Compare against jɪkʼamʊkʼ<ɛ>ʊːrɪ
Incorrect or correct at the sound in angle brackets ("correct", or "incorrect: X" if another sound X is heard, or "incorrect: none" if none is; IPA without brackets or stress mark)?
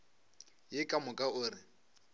incorrect: a